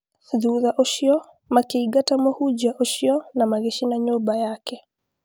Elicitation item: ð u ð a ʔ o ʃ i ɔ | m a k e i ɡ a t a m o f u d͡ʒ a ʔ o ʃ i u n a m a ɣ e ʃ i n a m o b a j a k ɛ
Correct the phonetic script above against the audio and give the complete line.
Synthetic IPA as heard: ð u ð a ʔ o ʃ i ɔ | m a k e i ɡ a t a m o h u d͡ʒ a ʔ o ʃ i ɔ n a m a ɣ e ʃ i n a ɲ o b a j a k ɛ